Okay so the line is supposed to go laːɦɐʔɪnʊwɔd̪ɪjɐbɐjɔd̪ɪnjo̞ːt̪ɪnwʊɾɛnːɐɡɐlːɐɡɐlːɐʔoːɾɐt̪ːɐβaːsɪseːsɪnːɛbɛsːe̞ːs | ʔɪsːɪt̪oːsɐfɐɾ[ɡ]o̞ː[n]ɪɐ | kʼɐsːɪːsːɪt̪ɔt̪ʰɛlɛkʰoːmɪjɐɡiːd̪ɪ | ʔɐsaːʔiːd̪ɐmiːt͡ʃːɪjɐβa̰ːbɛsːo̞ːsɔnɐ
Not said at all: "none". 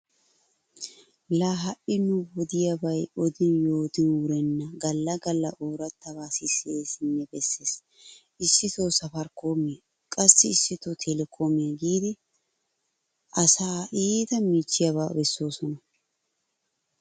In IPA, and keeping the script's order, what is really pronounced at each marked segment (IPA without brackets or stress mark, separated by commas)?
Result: k, m